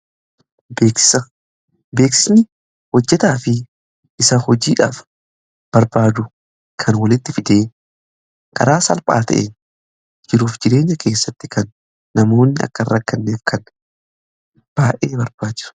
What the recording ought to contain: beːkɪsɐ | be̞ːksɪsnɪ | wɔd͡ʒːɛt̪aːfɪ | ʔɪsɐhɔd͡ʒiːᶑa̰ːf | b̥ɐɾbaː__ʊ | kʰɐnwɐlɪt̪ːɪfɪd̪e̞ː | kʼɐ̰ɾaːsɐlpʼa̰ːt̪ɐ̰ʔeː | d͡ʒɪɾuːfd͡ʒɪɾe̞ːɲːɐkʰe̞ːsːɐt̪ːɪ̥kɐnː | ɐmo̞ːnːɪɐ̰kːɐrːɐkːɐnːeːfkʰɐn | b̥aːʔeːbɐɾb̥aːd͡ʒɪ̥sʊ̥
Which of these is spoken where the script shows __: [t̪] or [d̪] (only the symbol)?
d̪